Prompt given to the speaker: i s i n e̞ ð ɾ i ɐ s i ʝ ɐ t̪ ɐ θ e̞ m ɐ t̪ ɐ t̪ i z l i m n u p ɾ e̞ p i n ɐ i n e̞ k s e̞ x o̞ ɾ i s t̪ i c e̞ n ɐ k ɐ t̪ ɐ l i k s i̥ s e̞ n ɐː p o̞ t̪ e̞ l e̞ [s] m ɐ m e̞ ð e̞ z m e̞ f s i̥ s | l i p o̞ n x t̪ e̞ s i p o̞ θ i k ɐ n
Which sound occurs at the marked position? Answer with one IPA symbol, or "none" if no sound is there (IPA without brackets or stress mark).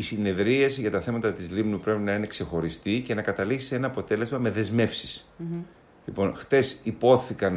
z